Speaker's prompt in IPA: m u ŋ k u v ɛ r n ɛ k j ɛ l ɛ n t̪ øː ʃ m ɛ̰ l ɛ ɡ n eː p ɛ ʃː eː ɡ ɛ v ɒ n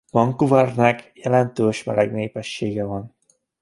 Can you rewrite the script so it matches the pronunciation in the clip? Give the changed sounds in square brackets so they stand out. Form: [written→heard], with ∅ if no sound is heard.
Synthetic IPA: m [u→ɒ] ŋ k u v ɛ r n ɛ k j ɛ l ɛ n t̪ øː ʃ m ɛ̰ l ɛ ɡ n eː p ɛ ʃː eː ɡ ɛ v ɒ n